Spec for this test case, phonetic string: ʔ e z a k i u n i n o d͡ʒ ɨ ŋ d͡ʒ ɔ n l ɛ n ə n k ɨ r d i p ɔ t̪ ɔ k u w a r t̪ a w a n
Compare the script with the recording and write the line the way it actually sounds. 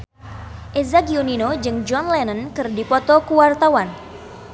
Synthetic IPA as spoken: ʔ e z a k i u n i n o d͡ʒ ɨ ŋ d͡ʒ ɔ n l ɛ n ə n k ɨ r d i p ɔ t̪ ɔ k u w a r t̪ a w a n